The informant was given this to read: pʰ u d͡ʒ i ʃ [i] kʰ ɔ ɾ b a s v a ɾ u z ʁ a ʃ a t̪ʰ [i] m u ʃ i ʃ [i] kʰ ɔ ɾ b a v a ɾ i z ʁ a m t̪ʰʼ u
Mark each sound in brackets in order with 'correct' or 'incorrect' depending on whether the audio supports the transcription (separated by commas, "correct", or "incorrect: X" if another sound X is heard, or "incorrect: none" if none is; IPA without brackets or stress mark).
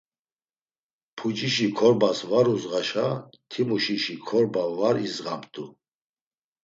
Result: correct, correct, correct